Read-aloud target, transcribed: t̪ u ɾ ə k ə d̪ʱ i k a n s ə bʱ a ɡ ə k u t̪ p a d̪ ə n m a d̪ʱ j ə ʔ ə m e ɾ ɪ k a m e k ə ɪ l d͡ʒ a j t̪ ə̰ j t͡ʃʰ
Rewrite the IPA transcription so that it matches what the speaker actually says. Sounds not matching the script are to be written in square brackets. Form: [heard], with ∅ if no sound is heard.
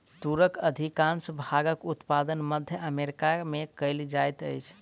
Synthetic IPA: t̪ u ɾ ə k ə d̪ʱ i k a n s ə bʱ a ɡ ə k u t̪ p a d̪ ə n m [ə] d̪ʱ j ə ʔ ə m e ɾ [i] k a m e k ə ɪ l d͡ʒ a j t̪ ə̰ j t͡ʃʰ